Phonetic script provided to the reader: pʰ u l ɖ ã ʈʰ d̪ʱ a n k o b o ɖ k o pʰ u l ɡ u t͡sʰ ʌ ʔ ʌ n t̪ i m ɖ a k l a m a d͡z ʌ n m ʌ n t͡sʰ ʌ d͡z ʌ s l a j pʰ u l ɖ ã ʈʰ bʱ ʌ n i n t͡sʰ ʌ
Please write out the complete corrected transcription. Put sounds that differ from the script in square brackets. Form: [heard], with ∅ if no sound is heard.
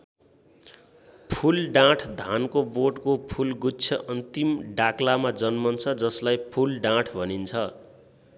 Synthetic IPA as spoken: pʰ u l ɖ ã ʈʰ d̪ʱ a n k o b o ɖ k o pʰ u l ɡ u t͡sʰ ʌ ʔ ʌ n t̪ i m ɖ a k l a m a d͡z ʌ n m ʌ n t͡sʰ ʌ d͡z ʌ s l a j pʰ u l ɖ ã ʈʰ bʱ ʌ n i n t͡sʰ ʌ